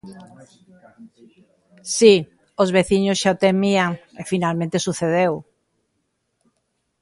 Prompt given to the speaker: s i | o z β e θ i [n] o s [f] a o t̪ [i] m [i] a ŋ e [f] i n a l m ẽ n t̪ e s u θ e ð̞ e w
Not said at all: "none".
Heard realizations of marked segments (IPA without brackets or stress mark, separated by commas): ɲ, ʃ, e, i, f